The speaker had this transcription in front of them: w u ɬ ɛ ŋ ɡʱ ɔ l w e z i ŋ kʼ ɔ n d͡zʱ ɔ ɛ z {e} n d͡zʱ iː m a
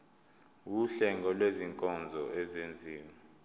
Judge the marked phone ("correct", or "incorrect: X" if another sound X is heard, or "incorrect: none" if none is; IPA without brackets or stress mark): correct